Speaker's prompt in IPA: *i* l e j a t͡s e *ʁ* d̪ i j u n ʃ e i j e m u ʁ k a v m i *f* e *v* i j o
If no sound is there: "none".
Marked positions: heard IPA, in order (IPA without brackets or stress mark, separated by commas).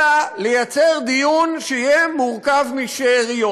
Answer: a, ʁ, ʃ, ʁ